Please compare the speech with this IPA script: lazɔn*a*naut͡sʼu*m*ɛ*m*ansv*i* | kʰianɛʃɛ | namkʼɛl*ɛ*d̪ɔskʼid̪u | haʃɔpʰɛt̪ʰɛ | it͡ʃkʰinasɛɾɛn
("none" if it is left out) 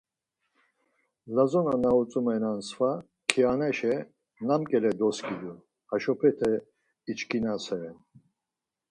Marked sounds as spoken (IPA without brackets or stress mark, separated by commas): a, m, n, a, ɛ